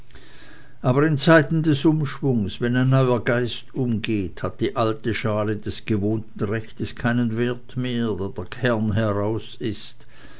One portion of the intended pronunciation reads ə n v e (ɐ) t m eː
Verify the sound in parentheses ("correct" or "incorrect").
correct